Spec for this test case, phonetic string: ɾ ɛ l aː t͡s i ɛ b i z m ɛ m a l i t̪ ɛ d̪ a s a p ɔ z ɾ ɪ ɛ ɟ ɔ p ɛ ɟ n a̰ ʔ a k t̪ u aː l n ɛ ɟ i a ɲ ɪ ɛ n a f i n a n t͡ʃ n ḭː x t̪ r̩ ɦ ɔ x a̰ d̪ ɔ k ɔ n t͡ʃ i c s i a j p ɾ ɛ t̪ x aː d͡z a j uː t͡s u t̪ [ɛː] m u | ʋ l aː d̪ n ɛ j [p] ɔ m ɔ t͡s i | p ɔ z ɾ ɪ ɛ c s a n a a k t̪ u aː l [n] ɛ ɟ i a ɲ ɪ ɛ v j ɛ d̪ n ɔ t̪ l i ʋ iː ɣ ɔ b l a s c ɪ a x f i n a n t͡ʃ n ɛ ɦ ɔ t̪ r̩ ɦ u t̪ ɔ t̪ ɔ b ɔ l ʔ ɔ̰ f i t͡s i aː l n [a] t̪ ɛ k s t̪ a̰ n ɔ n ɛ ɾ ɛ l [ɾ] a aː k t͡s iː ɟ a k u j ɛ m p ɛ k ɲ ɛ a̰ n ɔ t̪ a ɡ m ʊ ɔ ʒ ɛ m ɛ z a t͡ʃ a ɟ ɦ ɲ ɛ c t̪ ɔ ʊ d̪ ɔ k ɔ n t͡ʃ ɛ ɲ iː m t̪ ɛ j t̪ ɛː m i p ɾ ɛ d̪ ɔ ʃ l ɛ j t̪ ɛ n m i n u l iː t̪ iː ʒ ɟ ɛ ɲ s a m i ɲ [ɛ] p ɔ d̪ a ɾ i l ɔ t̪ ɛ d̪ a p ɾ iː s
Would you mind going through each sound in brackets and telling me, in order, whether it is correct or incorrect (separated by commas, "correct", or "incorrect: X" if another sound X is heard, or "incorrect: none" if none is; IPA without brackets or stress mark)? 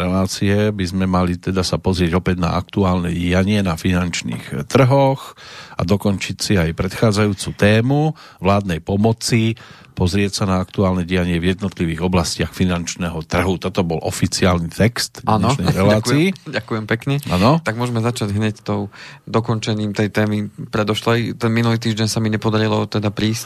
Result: correct, correct, correct, incorrect: i, incorrect: l, correct